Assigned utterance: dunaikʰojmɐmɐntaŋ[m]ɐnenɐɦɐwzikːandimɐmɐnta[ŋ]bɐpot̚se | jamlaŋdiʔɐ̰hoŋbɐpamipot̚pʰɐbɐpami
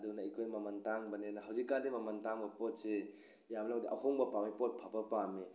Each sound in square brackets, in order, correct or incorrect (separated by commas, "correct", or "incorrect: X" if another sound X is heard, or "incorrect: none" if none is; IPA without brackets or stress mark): incorrect: b, correct